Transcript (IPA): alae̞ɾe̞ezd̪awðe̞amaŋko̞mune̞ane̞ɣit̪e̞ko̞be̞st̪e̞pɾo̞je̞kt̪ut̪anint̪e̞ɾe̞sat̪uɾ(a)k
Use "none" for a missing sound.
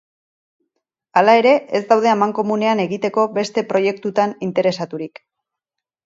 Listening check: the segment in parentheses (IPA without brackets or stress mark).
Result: i